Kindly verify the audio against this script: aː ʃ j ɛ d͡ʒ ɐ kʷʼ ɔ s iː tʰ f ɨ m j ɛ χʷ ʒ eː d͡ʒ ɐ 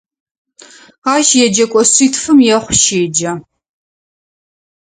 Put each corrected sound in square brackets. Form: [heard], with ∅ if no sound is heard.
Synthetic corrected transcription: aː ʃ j ɛ d͡ʒ ɐ kʷʼ ɔ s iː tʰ f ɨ m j ɛ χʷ [ʃ] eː d͡ʒ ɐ